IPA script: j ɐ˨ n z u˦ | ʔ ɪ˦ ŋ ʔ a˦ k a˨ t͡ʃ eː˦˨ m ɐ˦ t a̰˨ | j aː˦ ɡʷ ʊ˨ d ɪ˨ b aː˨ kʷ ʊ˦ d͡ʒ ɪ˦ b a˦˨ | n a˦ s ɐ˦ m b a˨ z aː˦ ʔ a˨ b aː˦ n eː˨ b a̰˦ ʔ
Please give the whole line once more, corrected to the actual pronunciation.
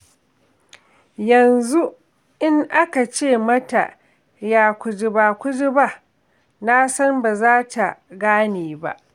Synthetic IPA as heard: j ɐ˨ n z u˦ | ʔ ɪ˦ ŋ ʔ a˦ k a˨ t͡ʃ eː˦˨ m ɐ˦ t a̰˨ | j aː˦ kʷ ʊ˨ d͡ʒ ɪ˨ b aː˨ kʷ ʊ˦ d͡ʒ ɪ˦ b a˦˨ | n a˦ s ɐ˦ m b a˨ z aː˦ t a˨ ɡ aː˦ n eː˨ b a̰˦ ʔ